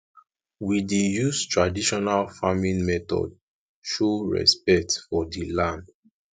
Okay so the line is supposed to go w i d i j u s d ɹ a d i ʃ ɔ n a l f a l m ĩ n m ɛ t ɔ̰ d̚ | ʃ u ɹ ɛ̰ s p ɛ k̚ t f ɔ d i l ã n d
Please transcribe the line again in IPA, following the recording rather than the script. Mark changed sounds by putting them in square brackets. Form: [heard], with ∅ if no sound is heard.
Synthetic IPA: w i d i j u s [t] ɹ a d i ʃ ɔ n a l f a [∅] m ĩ n m ɛ t ɔ̰ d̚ | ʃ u ɹ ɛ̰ s p ɛ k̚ t f ɔ d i l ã n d